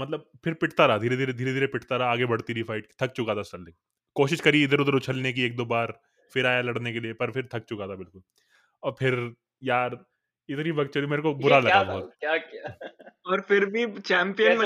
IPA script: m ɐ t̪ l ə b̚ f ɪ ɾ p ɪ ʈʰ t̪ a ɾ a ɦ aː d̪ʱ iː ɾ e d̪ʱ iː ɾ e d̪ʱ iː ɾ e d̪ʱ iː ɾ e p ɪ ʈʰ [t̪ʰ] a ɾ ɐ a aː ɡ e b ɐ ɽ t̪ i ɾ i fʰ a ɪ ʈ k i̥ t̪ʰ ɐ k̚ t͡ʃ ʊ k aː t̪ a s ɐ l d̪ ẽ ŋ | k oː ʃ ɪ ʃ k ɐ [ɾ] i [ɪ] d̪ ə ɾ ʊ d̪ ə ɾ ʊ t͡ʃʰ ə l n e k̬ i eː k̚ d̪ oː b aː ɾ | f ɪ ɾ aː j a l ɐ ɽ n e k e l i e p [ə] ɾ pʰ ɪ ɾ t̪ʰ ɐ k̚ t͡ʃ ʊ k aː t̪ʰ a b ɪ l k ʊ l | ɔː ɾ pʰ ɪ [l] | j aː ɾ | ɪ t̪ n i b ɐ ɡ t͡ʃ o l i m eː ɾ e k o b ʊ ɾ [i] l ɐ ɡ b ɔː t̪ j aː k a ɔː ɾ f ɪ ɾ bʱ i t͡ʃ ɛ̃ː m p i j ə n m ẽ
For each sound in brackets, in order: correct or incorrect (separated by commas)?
incorrect, correct, correct, incorrect, incorrect, incorrect